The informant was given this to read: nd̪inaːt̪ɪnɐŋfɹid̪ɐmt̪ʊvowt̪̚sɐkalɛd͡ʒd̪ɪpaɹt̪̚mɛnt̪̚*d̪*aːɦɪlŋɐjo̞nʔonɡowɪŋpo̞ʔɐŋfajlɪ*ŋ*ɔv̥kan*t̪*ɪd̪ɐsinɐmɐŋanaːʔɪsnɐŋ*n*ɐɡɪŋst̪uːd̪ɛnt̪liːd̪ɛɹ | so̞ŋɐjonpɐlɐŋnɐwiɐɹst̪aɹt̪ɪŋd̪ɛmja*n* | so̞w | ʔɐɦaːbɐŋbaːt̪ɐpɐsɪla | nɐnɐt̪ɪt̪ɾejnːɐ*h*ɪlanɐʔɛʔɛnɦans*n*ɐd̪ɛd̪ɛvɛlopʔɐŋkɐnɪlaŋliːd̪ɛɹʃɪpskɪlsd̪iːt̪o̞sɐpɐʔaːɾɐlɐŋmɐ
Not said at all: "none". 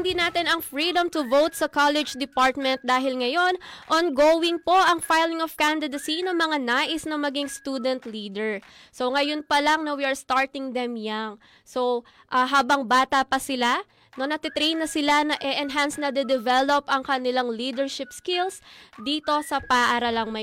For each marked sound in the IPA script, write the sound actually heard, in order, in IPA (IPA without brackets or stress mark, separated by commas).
d̪, ŋ, d̪, m, ŋ, s, n